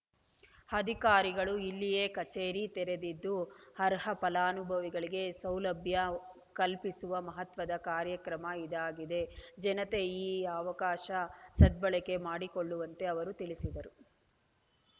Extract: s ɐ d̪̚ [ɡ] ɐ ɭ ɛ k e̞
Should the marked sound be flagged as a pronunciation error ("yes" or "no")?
yes